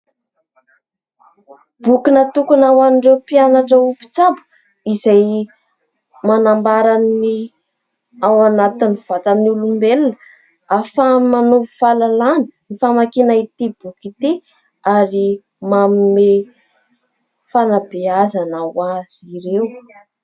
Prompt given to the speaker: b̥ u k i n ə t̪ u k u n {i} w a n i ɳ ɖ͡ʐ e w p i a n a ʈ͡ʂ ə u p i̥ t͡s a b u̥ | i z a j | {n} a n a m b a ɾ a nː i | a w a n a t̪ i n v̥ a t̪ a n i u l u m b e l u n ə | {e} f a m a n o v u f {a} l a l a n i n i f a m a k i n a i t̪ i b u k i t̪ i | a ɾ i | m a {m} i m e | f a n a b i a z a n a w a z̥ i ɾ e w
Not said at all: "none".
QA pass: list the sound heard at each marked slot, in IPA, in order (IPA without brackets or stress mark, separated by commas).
a, m, a, a, m